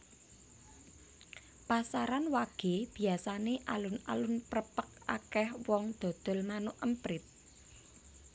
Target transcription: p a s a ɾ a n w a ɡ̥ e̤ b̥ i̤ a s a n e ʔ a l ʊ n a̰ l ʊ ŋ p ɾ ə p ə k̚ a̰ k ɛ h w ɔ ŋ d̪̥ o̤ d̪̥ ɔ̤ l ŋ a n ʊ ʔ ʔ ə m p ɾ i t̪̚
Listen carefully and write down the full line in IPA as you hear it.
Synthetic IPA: p a s a ɾ a n w a ɡ̥ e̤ b̥ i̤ a s a n e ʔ a l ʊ n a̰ l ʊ n p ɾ ə p ə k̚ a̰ k ɛ h w ɔ ŋ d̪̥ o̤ d̪̥ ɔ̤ l m a n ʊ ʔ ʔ ə m p ɾ ɪ t̪̚